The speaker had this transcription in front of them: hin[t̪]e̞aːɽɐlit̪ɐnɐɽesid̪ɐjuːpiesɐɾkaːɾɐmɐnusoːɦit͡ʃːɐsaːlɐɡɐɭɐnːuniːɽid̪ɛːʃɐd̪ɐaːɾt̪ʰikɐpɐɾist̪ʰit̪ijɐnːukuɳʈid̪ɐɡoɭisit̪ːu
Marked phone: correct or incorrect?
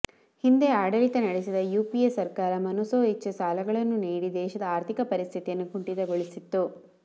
incorrect